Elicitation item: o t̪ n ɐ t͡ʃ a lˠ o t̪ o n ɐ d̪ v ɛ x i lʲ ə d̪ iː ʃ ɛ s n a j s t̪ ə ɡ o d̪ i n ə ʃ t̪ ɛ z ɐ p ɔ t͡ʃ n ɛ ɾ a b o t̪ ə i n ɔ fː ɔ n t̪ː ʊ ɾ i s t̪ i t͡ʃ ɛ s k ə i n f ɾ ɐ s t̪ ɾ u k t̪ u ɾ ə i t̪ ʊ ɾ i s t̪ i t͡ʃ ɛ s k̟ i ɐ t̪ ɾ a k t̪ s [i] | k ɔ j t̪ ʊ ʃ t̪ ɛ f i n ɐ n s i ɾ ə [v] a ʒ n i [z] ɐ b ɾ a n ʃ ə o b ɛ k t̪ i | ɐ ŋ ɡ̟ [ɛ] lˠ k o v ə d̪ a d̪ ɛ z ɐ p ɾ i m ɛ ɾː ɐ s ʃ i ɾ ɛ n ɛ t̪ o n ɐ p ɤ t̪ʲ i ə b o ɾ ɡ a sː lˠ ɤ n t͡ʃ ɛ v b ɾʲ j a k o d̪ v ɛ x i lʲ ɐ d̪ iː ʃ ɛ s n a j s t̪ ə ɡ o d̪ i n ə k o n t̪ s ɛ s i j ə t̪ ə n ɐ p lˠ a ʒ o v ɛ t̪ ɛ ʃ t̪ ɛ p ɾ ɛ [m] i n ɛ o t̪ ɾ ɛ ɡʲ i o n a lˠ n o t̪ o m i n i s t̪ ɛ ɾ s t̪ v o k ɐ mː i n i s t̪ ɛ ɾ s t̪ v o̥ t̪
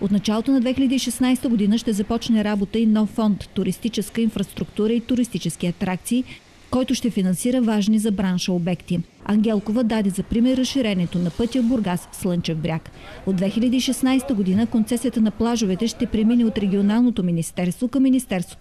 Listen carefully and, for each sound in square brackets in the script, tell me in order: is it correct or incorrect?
incorrect: iː, correct, correct, correct, correct

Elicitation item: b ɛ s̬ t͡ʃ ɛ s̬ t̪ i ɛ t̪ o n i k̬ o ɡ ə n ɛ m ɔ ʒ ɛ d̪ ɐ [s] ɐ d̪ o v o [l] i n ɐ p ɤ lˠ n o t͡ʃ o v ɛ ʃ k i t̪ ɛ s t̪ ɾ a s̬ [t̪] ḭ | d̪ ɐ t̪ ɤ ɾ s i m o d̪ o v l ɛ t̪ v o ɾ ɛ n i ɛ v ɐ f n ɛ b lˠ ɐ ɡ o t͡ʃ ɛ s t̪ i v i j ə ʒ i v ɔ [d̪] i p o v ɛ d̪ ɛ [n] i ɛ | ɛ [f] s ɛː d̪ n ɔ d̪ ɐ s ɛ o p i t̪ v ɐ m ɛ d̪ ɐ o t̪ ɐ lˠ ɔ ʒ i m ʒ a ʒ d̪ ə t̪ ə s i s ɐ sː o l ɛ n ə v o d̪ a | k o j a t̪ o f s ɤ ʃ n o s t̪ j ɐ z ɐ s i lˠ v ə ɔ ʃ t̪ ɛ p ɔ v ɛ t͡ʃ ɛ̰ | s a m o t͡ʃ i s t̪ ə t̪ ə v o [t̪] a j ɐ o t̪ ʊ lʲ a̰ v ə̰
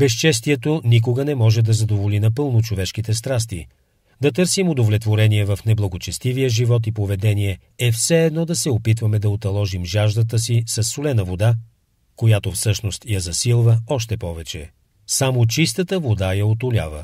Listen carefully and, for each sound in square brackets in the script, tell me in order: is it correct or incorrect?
incorrect: z, correct, correct, incorrect: t̪, correct, correct, incorrect: d̪

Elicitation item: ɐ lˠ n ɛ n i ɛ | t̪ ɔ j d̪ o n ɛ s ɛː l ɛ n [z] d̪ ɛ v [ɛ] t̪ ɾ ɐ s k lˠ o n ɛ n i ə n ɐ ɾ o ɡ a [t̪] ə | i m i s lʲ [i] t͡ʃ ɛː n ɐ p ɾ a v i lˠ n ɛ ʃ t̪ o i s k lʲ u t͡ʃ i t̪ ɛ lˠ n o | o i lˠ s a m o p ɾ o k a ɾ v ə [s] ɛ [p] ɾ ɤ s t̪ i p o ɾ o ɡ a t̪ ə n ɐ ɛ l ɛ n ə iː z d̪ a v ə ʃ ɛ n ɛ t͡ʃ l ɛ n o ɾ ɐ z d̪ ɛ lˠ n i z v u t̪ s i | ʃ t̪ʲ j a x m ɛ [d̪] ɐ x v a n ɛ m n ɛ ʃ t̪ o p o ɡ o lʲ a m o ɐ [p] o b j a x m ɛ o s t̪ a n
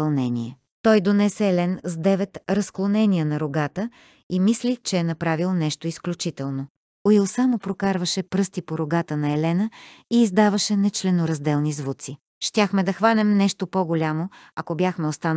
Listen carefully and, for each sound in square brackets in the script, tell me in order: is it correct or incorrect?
correct, correct, correct, correct, incorrect: ʃ, correct, correct, incorrect: k

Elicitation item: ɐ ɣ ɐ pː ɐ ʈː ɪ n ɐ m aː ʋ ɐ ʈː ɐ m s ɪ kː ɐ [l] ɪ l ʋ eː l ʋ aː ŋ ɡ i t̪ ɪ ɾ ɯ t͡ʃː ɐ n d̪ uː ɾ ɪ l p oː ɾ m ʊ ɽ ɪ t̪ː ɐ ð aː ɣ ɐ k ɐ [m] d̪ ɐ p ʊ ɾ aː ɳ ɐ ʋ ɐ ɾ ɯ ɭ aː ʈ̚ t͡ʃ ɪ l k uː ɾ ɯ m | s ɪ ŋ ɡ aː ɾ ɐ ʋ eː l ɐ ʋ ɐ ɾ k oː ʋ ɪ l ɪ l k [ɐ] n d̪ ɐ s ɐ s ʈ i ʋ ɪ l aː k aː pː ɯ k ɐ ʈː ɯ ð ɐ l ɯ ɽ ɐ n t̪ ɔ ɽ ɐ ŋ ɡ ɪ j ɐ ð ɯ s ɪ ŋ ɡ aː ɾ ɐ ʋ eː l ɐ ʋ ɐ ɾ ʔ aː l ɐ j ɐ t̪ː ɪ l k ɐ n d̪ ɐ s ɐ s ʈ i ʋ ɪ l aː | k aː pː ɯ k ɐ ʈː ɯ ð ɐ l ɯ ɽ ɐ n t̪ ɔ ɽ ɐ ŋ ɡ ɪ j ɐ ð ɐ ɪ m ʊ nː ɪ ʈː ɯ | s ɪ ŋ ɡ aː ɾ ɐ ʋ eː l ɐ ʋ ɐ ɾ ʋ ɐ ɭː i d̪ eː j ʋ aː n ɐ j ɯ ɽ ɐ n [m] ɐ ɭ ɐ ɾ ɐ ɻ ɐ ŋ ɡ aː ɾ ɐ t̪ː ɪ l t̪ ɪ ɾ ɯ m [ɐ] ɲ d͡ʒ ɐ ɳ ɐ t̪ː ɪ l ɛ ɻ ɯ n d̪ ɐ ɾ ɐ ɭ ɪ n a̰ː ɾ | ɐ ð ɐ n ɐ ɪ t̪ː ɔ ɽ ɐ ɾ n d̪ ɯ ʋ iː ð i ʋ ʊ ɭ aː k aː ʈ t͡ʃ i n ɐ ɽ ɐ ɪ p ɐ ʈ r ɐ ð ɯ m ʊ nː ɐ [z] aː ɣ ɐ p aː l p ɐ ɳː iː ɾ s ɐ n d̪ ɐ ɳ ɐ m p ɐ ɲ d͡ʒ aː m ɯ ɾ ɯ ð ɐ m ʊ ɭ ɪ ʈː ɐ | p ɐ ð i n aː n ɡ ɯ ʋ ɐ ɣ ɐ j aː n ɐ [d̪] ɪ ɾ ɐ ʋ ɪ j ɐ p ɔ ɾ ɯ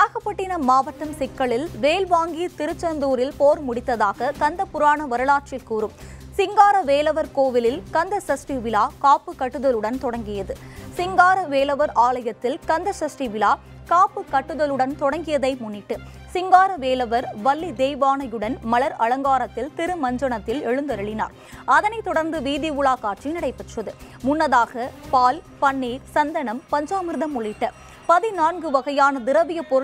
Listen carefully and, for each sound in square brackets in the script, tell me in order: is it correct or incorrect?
incorrect: ɭ, incorrect: n, correct, correct, correct, incorrect: ð, correct

